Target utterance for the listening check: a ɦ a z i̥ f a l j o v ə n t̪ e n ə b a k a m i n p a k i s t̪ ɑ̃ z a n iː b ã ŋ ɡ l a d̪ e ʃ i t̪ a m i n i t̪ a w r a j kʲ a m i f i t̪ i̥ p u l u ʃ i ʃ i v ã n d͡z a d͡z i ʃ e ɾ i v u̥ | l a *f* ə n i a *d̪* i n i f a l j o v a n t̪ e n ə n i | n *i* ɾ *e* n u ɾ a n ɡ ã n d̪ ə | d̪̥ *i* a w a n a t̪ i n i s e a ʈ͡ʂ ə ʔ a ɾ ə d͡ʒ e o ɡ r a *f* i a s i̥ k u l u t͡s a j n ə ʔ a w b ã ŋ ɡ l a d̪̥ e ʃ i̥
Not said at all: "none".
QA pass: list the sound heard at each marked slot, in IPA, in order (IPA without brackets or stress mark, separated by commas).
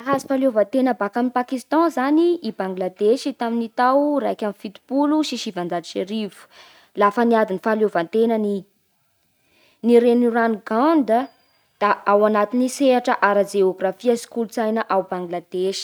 f, d̪, i, e, a, f